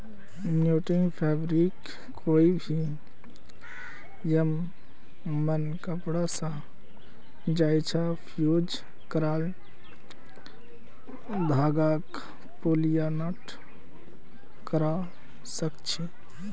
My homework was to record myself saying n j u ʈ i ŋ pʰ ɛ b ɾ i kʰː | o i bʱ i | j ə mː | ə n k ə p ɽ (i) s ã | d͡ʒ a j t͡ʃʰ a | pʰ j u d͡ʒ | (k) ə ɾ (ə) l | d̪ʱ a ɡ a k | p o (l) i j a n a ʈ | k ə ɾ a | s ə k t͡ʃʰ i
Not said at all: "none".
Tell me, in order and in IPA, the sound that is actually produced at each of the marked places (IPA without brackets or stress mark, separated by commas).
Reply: a, k, a, l